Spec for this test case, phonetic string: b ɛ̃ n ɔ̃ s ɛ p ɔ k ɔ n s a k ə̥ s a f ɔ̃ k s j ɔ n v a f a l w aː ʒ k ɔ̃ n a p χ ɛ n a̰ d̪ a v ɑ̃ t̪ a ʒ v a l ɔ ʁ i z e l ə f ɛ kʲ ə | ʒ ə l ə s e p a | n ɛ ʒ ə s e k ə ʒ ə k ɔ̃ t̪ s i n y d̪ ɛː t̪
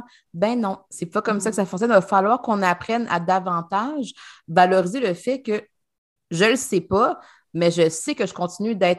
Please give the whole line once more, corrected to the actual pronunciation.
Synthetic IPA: b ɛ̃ n ɔ̃ s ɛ p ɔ k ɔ m s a k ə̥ s a f ɔ̃ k s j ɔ n v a f a l w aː ʁ k ɔ̃ n a p χ ɛ n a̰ d̪ a v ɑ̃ t̪ a ʒ v a l ɔ ʁ i z e l ə f ɛ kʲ ə | ʒ ə l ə s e p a | m ɛ ʒ ə s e k ə ʒ ə k ɔ̃ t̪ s i n y d̪ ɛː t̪